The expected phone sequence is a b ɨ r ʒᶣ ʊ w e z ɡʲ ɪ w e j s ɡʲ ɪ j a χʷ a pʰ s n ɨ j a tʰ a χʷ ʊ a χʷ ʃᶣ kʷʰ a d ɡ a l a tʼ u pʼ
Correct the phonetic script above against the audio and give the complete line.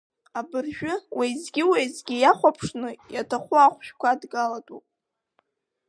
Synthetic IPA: a b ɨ r ʒᶣ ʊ w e z ɡʲ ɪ w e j z ɡʲ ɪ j a χʷ a pʰ ʂ n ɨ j a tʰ a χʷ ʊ a χʷ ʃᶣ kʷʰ a d ɡ a l a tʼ u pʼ